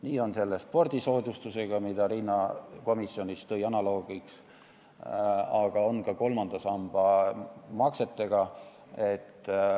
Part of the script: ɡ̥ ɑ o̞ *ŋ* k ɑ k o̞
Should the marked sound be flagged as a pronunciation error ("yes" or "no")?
yes